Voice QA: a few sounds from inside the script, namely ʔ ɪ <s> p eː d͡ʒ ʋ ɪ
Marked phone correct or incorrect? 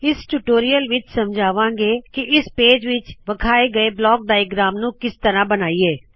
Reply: correct